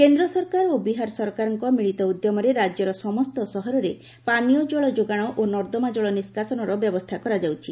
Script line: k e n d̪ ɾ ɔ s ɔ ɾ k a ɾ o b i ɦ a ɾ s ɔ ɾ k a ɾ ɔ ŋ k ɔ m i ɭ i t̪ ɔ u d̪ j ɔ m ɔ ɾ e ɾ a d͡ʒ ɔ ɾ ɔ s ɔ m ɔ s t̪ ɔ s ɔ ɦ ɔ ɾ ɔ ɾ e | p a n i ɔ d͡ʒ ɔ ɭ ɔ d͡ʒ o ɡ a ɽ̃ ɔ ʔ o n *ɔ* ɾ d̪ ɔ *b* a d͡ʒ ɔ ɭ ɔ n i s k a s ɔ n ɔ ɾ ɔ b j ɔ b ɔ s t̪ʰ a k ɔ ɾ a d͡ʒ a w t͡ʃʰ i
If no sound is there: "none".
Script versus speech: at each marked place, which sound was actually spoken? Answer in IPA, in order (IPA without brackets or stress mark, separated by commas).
ɔ, m